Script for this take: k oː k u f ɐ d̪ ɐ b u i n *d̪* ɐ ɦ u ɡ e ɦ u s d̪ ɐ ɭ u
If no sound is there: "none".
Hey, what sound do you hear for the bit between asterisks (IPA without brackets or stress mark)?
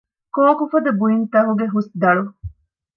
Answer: t̪